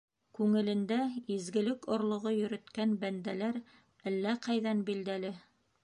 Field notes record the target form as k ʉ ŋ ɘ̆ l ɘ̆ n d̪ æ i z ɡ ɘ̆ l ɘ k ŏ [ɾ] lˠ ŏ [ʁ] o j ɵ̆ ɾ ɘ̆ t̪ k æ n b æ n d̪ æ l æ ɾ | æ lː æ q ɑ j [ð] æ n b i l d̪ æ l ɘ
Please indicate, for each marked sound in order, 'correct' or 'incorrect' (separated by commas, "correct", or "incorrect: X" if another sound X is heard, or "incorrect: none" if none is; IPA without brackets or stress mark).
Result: correct, correct, correct